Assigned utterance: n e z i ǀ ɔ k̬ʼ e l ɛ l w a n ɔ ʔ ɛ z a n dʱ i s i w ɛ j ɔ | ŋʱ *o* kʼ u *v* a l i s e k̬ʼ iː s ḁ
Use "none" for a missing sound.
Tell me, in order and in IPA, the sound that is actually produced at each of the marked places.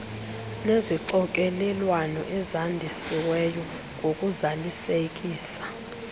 o, z

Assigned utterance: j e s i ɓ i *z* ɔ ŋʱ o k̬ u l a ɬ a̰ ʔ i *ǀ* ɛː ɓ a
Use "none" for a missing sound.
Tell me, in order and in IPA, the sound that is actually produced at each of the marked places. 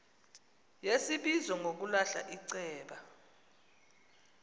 z, ǀ

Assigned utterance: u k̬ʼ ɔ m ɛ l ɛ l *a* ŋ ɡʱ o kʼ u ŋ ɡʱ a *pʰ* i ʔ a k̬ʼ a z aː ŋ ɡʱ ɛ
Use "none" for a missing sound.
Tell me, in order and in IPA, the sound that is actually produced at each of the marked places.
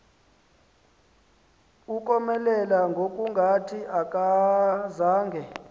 a, tʰ

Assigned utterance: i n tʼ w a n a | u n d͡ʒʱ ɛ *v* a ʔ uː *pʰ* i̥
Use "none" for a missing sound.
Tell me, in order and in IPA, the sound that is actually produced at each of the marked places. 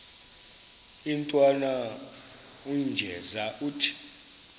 z, tʰ

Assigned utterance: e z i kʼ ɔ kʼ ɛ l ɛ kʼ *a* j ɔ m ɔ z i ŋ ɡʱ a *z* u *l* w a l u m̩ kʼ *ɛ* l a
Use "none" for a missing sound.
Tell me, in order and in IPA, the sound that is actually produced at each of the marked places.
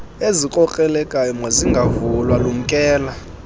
a, v, l, ɛː

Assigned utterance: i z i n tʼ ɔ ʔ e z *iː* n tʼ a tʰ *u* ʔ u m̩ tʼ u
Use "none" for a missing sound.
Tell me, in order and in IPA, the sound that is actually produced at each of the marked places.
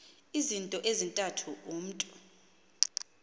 i, u

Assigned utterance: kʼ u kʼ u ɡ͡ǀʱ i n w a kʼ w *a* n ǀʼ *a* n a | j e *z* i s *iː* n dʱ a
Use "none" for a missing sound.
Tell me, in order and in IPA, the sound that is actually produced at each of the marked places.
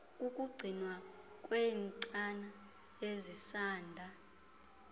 e, a, z, aː

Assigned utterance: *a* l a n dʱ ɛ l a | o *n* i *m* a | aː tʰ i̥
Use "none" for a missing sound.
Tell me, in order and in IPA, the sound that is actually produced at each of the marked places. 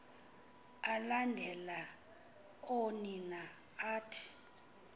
a, n, n

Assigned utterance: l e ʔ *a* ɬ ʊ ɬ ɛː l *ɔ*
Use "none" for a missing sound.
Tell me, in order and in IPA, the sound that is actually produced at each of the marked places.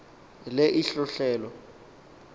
i, ɔ

